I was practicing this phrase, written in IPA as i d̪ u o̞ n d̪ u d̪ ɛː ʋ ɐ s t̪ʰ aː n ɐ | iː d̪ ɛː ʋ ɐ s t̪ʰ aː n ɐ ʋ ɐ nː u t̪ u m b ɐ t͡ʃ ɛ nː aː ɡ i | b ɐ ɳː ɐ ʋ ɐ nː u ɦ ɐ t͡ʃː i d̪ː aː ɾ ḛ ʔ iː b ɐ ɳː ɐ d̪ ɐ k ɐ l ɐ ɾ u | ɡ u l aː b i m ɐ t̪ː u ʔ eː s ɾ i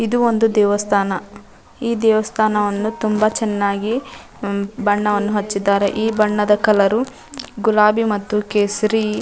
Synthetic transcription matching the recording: i d̪ u o̞ n d̪ u d̪ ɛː ʋ ɐ s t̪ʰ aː n ɐ | iː d̪ ɛː ʋ ɐ s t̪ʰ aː n ɐ ʋ ɐ nː u t̪ u m b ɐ t͡ʃ ɛ nː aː ɡ i | b ɐ ɳː ɐ ʋ ɐ nː u ɦ ɐ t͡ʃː i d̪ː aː ɾ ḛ ʔ iː b ɐ ɳː ɐ d̪ ɐ k ɐ l ɐ ɾ u | ɡ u l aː b i m ɐ t̪ː u k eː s ɾ i